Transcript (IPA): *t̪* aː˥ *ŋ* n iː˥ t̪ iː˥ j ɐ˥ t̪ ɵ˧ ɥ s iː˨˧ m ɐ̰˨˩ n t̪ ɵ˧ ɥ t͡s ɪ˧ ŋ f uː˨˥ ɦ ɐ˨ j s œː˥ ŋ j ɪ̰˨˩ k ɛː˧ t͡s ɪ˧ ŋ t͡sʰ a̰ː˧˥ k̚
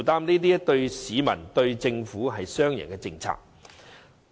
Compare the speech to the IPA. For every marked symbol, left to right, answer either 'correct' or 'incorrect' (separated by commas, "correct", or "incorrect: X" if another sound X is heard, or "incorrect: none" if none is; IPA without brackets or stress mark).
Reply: correct, incorrect: m